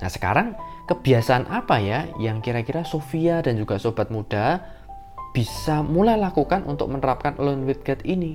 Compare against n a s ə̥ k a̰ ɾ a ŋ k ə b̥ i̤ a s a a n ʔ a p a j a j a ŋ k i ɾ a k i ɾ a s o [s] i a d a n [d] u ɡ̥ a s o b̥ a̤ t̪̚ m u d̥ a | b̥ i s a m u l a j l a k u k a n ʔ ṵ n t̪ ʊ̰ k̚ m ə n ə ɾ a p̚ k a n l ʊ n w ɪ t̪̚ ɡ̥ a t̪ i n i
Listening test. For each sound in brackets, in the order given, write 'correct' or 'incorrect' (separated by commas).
incorrect, incorrect